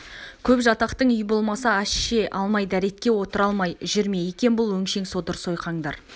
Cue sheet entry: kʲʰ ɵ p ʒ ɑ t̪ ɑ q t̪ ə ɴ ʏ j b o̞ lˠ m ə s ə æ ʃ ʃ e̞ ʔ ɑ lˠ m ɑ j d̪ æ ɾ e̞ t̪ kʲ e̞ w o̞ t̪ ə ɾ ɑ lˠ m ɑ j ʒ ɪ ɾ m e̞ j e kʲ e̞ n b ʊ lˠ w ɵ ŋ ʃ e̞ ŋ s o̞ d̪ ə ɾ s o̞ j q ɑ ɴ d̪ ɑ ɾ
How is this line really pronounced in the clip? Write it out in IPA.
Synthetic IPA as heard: kʲʰ ɵ p ʒ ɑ t̪ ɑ q t̪ ə ɴ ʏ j b o̞ lˠ m ɑ s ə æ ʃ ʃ e̞ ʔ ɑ lˠ m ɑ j d̪ æ ɾ e̞ t̪ kʲ e̞ w o̞ t̪ ə ɾ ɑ lˠ m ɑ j ʒ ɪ ɾ m e̞ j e kʲ e̞ n b ʊ lˠ w ɵ ŋ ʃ e̞ ŋ s o̞ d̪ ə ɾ s o̞ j q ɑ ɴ d̪ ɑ ɾ